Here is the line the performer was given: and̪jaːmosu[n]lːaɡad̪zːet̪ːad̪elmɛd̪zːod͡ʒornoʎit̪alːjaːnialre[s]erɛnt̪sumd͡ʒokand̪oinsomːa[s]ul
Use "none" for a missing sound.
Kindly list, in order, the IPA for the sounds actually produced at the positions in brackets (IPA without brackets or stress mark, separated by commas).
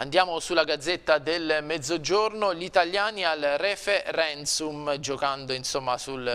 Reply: none, f, s